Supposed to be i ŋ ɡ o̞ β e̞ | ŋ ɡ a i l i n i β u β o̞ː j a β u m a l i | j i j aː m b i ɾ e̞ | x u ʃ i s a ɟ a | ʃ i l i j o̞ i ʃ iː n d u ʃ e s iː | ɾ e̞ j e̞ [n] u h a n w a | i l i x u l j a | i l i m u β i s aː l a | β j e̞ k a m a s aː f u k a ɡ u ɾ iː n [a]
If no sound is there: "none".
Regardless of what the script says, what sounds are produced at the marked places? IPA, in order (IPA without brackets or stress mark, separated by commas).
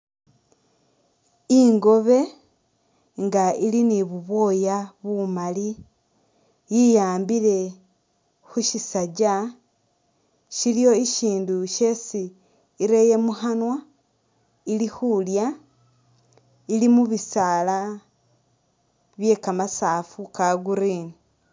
m, i